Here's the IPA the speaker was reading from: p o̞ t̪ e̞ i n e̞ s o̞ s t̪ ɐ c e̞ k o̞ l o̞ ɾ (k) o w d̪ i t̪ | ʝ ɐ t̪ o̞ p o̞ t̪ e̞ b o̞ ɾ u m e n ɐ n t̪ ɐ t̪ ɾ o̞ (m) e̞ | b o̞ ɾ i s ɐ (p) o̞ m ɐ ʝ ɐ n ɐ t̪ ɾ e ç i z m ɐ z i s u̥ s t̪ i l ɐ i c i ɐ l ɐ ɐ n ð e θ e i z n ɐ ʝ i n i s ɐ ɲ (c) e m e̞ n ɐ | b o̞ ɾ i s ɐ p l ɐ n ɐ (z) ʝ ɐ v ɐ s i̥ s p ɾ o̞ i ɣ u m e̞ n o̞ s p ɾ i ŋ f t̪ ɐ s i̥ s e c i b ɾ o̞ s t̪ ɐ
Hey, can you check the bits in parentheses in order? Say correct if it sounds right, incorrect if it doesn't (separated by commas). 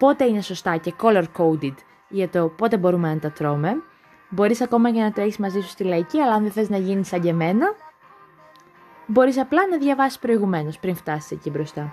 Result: correct, correct, incorrect, incorrect, incorrect